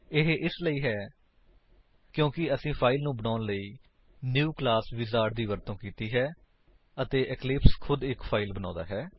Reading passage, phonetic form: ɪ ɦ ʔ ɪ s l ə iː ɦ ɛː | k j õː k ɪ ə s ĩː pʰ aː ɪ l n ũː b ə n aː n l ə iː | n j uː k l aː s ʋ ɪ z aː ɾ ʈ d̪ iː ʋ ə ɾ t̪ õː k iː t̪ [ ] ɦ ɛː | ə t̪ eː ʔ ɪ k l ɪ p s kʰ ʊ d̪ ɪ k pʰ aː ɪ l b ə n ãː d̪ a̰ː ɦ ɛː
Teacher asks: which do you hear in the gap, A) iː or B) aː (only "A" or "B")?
A